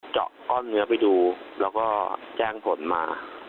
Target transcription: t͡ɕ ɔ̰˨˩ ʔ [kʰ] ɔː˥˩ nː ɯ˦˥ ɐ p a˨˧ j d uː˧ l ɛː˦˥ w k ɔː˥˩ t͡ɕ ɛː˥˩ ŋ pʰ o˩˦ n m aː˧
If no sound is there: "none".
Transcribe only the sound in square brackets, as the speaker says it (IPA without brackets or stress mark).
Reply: k